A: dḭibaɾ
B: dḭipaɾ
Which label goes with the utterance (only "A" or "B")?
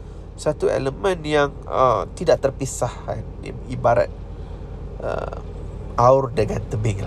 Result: A